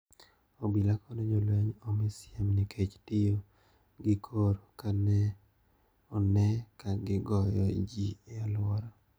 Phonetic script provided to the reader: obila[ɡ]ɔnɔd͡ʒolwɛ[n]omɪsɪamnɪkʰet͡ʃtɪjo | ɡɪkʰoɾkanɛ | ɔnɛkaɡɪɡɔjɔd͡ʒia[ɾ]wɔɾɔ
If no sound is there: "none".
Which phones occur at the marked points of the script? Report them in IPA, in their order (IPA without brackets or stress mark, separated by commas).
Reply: k, ɲ, l